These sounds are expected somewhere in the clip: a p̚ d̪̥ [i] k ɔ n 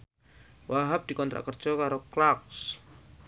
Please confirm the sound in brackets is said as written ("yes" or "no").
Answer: yes